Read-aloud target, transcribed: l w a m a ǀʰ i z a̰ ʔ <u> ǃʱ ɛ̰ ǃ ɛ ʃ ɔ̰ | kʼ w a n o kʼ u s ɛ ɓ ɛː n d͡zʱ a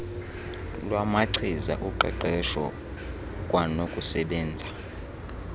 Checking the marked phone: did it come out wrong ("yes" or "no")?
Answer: no